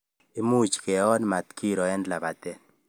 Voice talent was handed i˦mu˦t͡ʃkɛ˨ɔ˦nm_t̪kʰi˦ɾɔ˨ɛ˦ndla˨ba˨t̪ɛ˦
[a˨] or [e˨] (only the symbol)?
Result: a˨